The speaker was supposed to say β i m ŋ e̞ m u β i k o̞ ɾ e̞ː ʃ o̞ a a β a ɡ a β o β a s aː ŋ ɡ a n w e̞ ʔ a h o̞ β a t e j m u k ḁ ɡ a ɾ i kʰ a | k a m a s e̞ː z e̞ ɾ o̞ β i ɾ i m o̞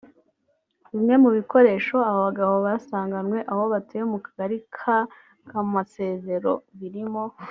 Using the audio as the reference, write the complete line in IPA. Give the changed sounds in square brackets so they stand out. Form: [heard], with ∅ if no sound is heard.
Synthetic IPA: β i m ŋ e̞ m u β i k o̞ ɾ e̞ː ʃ o̞ a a β a ɡ a β o β a s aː ŋ ɡ a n w e̞ ʔ a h o̞ β a t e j m u k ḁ ɡ a ɾ i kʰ a | k a m a s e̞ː z e̞ ɾ o̞ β i ɾ i m o̞